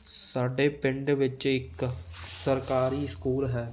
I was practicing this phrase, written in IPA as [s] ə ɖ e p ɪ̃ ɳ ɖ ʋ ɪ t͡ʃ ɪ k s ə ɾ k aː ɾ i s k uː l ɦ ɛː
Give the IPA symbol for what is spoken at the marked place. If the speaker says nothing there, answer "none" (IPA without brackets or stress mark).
s